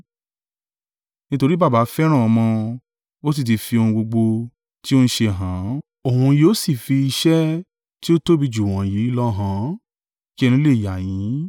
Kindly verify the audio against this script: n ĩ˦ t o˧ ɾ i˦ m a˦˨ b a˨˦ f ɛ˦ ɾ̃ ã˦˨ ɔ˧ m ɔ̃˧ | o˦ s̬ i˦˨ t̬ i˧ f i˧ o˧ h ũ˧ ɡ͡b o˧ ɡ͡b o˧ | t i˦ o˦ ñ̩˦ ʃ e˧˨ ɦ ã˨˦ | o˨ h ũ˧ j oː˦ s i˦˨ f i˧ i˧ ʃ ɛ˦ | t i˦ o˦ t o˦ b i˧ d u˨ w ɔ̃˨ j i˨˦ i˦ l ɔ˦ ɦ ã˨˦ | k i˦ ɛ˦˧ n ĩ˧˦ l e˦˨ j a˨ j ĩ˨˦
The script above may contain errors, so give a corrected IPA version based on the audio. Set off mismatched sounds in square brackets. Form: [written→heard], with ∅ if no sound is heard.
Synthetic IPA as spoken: n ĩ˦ t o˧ ɾ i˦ [m→b] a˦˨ b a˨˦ f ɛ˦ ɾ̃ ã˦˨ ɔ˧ m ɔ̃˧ | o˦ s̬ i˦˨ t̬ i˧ f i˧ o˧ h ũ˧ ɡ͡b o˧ ɡ͡b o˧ | t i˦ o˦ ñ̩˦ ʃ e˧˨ ɦ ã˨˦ | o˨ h ũ˧ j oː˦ s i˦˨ f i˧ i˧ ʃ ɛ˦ | t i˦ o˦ t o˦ b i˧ [d→d͡ʒ] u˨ w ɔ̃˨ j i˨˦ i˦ l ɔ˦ ɦ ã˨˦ | k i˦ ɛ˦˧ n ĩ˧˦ l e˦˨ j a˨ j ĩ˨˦